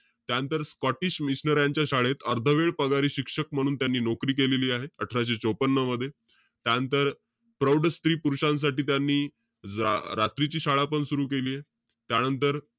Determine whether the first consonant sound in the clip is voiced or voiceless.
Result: voiceless